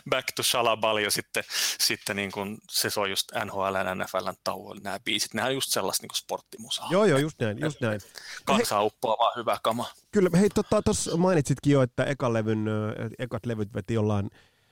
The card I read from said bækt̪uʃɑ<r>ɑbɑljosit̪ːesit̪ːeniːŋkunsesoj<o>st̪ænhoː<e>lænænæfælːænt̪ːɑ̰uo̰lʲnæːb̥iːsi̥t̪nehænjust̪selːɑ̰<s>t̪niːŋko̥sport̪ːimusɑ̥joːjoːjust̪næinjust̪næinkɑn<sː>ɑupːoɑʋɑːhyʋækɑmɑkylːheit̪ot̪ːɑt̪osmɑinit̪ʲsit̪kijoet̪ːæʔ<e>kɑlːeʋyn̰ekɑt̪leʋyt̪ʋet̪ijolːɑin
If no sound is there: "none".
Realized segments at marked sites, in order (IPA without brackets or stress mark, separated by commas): l, u, æ, s, s, e